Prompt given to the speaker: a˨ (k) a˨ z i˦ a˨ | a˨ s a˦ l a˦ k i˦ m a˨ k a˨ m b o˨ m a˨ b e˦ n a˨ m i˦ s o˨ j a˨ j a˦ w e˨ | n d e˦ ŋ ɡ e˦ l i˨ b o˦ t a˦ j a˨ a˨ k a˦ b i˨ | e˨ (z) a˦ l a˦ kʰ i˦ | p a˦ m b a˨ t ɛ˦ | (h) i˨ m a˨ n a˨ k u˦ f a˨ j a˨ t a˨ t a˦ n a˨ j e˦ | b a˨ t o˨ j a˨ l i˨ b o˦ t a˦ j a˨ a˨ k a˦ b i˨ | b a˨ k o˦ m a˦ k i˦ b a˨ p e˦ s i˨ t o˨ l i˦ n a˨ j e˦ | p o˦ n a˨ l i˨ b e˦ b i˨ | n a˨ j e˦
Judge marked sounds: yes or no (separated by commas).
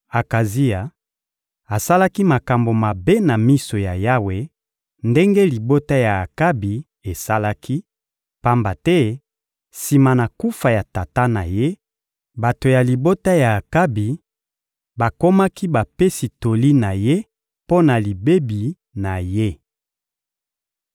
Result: yes, no, no